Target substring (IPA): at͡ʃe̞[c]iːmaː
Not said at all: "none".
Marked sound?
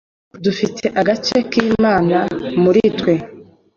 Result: k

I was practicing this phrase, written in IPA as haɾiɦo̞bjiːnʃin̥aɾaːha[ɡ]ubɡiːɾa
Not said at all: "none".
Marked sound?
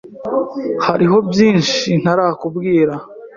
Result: k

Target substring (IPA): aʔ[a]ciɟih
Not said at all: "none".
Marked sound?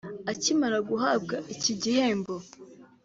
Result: i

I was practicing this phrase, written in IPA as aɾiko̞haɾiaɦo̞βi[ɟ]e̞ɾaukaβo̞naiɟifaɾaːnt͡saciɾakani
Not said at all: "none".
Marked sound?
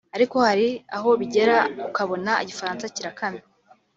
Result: ɟ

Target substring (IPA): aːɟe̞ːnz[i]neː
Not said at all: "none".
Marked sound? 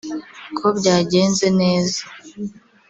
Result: e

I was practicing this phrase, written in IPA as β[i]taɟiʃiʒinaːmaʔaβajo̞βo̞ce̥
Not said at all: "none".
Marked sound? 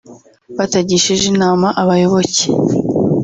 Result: a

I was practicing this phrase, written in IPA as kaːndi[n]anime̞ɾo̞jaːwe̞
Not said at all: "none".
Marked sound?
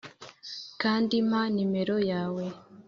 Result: m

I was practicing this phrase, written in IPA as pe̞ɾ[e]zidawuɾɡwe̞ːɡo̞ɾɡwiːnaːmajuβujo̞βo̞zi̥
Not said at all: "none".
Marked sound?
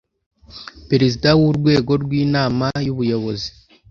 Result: e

